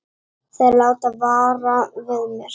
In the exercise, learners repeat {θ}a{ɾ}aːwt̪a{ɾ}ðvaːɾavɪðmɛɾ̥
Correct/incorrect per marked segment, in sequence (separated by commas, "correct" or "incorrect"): correct, incorrect, incorrect